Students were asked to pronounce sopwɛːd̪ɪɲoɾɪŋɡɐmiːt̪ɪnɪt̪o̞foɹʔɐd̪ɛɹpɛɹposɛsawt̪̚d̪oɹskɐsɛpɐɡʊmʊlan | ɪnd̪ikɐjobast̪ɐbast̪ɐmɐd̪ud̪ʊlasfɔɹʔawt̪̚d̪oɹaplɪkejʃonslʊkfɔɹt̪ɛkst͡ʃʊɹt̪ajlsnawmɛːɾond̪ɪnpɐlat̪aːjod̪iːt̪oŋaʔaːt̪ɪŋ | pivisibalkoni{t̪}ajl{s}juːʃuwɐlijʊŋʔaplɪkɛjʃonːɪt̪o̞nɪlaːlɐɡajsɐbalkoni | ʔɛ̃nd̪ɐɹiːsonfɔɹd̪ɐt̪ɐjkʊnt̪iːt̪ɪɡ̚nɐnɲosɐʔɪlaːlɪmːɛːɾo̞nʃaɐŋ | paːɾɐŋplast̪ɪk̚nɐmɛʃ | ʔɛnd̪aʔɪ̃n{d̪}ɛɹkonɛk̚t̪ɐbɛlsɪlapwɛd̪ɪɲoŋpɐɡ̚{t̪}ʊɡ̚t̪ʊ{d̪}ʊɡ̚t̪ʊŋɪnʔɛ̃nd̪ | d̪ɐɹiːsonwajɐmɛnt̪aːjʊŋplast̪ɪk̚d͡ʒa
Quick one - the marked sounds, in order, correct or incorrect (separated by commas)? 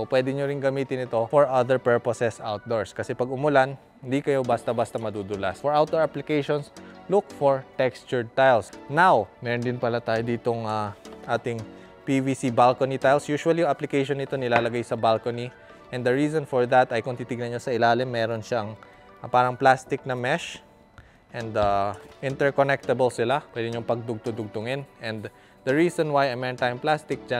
correct, correct, incorrect, incorrect, correct